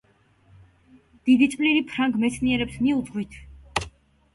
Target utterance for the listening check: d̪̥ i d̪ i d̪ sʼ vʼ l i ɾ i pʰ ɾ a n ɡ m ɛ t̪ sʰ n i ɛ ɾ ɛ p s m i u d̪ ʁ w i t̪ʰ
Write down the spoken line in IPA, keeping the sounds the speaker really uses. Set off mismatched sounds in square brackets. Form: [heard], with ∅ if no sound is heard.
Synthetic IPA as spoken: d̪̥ i d̪ i [t̪] sʼ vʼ l i ɾ i pʰ ɾ a [ŋ] ɡ m ɛ t̪ sʰ n i ɛ ɾ ɛ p s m i u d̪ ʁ w i t̪ʰ